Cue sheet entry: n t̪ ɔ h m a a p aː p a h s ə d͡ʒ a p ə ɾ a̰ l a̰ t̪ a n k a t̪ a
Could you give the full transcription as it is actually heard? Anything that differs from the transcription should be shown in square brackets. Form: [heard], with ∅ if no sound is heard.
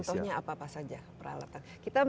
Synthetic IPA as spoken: n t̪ ɔ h [ɲ] a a p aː p a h s [a] d͡ʒ a p ə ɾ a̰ l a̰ t̪ a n k [i] t̪ a